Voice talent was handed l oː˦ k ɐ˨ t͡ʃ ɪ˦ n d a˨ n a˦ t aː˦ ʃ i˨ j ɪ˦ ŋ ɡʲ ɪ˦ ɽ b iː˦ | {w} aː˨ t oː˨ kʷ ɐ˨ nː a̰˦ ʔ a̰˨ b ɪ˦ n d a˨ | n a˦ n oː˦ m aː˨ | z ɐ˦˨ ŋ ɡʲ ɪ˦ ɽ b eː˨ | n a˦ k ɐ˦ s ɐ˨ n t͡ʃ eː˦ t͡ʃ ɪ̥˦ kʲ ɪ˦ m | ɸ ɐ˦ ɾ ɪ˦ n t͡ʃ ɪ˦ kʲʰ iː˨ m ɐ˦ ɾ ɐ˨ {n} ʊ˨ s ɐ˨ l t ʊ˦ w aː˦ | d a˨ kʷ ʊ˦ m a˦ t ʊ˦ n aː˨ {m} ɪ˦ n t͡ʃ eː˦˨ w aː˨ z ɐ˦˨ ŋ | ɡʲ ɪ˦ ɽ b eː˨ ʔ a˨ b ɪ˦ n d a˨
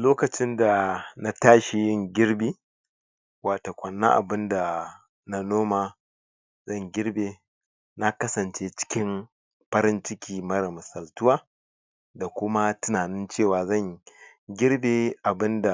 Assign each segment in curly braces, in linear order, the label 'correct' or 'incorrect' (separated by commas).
correct, incorrect, incorrect